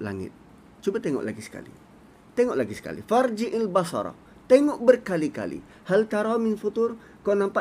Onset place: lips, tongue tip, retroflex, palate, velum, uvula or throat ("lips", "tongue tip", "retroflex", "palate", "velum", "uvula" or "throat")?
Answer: tongue tip